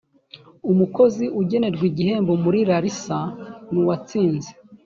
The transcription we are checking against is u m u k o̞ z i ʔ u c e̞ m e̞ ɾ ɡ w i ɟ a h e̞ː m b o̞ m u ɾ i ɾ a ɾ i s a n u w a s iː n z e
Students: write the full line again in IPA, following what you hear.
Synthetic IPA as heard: u m u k o̞ z i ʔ u ɟ e̞ n e̞ ɾ ɡ w i ɟ i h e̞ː m b o̞ m u ɾ i ɾ a ɾ i s a n u w a t͡s iː n z e